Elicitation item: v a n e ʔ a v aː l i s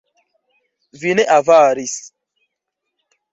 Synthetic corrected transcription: v i n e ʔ a v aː ɾ i s